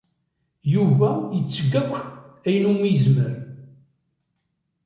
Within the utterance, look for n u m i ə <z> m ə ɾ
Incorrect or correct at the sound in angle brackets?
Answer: correct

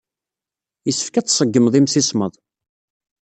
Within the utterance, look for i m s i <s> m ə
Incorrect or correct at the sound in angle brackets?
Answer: correct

